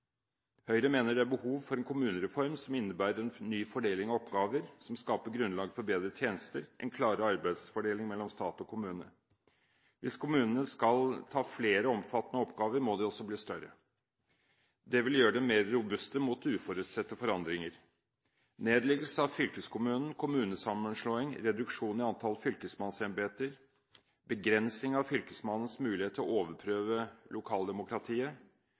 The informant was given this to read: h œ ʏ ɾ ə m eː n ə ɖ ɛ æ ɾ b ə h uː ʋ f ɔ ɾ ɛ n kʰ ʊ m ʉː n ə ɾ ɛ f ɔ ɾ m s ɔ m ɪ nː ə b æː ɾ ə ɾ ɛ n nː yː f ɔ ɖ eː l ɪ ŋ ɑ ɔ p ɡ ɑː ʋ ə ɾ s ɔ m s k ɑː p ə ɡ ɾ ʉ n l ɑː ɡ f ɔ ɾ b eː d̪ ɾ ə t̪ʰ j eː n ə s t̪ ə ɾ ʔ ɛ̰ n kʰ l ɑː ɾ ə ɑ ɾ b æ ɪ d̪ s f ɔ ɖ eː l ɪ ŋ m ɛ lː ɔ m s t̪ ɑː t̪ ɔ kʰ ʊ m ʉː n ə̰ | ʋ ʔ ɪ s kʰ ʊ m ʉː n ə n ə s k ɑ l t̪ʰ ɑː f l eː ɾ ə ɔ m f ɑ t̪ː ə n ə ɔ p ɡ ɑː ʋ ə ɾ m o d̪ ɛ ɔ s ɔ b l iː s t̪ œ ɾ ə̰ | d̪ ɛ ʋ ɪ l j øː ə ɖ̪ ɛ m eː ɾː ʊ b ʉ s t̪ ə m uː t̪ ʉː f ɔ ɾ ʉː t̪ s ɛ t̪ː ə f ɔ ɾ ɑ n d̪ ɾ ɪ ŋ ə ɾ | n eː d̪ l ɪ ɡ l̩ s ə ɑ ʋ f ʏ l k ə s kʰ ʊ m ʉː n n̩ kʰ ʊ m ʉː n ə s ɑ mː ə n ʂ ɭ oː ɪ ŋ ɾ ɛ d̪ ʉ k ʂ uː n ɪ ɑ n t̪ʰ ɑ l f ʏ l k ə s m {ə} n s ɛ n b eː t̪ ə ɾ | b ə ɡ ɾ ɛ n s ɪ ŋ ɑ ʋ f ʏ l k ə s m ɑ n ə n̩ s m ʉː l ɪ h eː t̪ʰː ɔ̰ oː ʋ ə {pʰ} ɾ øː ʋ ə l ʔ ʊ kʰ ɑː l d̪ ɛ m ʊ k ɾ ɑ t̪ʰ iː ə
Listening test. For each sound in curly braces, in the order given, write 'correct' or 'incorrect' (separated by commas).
incorrect, correct